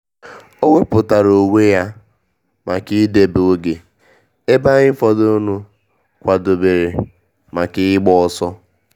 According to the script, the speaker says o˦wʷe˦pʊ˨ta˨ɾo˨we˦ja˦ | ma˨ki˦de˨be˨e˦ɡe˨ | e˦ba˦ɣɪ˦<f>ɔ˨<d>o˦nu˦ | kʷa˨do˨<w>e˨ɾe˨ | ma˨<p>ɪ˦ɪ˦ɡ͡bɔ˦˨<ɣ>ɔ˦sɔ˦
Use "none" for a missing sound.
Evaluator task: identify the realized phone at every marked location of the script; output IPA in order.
f, d, b, k, none

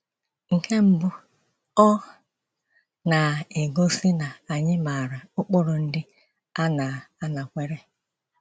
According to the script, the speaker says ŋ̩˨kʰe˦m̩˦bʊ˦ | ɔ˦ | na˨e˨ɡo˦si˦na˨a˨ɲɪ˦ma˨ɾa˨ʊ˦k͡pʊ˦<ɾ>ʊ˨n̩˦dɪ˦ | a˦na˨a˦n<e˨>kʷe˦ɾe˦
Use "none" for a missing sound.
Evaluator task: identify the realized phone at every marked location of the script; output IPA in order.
ɾ, a˨

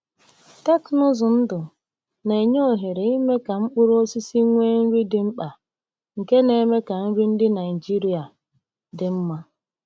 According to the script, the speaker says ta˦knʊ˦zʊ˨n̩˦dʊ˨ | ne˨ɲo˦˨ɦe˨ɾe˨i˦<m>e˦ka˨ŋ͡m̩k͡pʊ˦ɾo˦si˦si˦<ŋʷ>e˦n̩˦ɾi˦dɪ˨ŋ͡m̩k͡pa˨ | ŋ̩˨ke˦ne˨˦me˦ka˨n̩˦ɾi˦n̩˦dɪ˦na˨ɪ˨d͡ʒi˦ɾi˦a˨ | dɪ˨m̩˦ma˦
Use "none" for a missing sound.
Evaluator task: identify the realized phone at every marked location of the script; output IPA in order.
m, ŋʷ

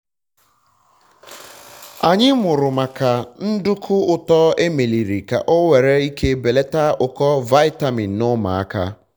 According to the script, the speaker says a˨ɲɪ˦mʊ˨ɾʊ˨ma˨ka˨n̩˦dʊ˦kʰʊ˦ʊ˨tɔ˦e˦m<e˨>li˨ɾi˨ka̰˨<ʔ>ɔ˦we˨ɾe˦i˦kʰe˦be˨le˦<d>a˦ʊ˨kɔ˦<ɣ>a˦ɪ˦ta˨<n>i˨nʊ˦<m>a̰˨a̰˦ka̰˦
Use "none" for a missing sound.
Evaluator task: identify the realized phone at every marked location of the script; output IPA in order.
e˨, ʔ, t, v, m, m

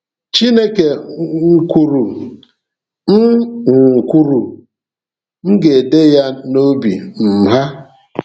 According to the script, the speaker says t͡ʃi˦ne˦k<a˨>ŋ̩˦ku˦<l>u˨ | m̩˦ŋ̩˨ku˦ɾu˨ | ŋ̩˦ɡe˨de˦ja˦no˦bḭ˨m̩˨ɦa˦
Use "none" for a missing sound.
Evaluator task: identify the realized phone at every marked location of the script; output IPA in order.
e˨, ɾ

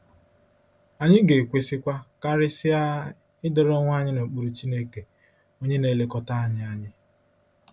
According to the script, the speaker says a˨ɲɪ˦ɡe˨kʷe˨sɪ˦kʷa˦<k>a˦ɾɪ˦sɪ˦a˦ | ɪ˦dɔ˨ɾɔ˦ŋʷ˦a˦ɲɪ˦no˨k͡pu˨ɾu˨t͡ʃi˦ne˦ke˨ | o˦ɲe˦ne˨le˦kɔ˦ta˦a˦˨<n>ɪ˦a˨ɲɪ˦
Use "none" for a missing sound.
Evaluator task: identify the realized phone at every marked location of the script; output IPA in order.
k, ɲ

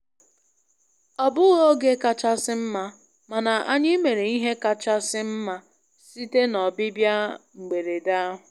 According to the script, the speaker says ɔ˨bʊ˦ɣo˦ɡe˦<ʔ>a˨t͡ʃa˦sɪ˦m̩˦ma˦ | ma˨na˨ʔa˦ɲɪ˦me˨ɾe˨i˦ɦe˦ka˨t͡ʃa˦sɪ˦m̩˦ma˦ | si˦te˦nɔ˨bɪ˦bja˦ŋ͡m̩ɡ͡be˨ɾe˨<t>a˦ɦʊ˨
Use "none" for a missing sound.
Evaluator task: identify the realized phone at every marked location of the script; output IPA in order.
k, d

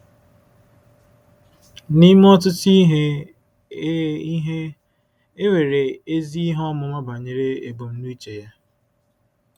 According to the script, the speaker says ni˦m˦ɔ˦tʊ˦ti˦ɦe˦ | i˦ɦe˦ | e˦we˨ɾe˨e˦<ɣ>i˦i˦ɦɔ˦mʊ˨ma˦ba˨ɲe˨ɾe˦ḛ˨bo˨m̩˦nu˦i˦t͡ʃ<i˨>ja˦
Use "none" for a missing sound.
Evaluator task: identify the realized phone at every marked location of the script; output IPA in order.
z, e˨

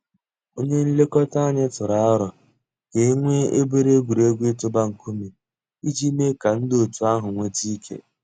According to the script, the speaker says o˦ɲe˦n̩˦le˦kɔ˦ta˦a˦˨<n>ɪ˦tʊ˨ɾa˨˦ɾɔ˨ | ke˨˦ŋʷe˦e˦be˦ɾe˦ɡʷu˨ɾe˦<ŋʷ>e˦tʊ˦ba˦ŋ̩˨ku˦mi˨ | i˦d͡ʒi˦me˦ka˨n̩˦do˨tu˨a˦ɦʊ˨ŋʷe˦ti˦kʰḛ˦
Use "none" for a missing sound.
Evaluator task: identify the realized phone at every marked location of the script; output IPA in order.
ɲ, ɡʷ

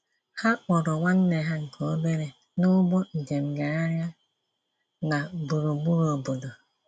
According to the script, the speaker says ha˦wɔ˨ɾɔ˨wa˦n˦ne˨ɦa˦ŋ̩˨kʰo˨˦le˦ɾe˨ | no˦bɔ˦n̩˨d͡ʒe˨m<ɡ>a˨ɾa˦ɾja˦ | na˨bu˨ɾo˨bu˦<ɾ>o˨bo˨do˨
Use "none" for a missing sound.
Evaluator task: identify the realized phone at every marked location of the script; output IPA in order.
ɡ, ɾ

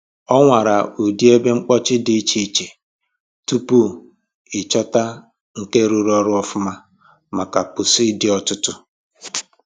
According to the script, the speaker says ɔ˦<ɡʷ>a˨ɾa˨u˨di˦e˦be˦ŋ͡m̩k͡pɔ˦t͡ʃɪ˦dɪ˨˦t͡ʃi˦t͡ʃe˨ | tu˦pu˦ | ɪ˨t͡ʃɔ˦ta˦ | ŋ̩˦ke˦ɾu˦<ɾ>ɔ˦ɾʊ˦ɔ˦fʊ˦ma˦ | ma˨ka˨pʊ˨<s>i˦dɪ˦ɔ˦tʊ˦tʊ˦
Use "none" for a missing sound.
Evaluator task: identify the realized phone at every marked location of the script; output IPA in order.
ŋʷ, ɾ, s

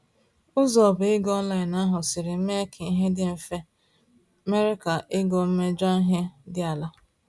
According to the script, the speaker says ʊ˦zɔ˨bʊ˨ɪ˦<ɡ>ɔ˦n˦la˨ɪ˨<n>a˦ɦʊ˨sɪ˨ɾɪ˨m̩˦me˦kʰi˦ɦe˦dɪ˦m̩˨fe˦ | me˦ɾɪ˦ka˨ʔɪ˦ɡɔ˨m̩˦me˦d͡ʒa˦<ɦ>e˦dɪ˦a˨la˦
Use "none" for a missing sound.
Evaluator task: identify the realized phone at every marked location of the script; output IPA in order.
ɡ, n, ɦ

